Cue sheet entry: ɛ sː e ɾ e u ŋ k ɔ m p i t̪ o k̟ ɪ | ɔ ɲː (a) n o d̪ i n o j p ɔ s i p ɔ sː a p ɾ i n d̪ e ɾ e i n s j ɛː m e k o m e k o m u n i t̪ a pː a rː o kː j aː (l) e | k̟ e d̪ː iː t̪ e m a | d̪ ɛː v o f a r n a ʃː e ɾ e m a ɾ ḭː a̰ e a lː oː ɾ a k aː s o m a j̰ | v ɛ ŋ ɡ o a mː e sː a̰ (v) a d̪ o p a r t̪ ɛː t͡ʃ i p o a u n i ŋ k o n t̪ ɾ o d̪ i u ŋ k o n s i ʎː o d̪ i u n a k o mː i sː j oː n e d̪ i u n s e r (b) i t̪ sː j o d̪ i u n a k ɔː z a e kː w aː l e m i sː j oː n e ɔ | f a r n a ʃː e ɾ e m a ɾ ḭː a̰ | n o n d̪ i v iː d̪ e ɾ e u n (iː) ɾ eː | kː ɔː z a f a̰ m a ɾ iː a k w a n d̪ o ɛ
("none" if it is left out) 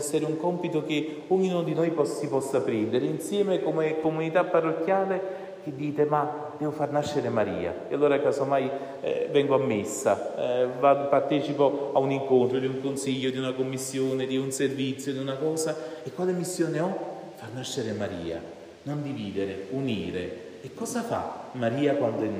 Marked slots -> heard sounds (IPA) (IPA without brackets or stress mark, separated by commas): i, l, v, v, iː